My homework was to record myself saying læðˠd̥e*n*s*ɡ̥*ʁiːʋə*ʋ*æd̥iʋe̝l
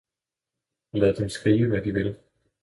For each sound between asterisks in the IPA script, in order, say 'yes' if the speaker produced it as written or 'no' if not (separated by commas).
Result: no, yes, yes